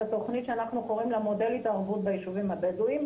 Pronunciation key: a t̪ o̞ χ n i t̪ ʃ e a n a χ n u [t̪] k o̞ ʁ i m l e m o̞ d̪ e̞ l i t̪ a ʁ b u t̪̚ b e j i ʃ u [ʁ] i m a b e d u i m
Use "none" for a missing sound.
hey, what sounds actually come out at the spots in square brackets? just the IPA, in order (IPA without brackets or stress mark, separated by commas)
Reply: none, v